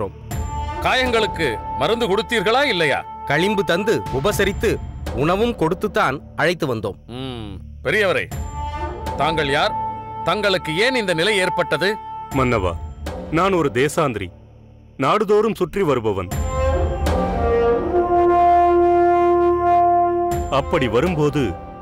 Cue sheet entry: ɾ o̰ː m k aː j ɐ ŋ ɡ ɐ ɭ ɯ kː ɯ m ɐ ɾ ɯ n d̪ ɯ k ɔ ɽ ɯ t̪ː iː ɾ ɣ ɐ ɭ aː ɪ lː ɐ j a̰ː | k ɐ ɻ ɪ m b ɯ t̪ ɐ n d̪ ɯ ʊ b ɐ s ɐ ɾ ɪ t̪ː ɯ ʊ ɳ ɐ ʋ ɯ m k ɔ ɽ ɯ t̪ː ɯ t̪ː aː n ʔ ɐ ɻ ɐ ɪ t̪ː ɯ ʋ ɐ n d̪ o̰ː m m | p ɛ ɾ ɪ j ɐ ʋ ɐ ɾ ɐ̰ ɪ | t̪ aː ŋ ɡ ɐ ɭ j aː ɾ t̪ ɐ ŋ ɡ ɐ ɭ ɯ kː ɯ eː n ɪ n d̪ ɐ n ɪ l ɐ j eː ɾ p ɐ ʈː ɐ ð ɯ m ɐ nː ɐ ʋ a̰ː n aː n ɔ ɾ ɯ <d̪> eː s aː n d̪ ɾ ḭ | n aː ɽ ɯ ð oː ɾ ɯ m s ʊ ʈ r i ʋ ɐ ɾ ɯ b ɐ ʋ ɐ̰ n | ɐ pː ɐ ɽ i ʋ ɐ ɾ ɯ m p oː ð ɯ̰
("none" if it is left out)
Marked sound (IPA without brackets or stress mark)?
d̪